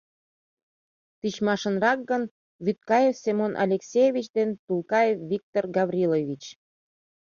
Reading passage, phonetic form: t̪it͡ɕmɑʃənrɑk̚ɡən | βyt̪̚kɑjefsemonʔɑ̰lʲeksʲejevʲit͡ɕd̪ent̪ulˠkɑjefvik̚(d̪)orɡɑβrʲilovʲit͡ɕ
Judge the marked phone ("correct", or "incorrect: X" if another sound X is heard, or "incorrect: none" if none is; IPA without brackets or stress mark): incorrect: t̪